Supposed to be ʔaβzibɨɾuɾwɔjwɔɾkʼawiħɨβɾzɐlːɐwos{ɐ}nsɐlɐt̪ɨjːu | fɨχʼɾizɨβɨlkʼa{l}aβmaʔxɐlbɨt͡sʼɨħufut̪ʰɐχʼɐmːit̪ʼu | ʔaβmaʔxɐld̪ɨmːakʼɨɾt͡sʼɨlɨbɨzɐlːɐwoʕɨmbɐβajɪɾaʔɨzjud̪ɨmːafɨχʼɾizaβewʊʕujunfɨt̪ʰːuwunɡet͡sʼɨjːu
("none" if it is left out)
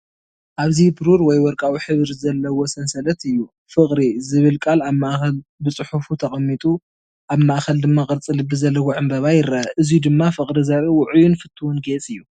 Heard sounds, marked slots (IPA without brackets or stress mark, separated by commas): ɐ, l